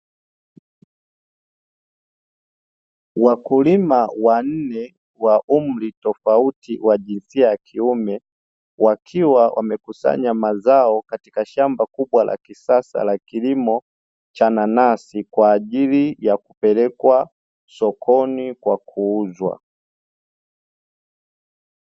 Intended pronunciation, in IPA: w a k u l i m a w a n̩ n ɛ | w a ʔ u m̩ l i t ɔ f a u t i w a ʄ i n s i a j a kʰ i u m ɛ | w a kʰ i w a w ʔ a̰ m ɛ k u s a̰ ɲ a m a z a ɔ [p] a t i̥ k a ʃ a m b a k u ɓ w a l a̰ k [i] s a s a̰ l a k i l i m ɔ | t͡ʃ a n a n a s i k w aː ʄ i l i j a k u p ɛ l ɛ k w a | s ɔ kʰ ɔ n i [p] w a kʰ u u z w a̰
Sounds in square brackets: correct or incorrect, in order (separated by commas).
incorrect, correct, incorrect